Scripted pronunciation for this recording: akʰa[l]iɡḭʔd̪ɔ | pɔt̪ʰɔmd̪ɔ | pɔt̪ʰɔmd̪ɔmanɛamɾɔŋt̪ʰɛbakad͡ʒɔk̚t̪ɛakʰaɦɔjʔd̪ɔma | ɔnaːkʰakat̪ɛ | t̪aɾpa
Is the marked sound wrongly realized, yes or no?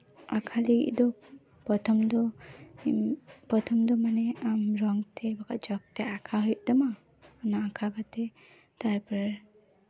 no